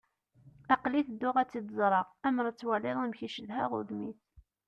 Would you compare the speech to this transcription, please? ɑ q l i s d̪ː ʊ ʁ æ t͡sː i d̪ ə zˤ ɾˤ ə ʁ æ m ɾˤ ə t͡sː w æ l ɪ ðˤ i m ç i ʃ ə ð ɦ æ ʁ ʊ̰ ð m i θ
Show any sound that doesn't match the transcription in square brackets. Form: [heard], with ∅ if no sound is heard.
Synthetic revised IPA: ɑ q l i [θ] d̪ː ʊ ʁ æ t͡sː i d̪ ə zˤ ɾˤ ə ʁ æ m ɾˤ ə t͡sː w æ l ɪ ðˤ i m ç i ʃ ə ð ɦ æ ʁ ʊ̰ ð m i θ